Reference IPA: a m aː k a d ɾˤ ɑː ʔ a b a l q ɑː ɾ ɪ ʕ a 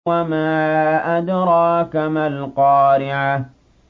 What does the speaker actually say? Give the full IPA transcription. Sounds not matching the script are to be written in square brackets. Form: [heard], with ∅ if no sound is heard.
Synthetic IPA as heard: a m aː [ʔ] a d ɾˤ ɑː [k] a [m] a l q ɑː ɾ ɪ ʕ a